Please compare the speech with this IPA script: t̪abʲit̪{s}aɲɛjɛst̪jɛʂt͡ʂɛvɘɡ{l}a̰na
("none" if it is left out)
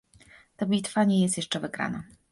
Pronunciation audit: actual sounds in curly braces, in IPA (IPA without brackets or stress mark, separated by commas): f, ɾ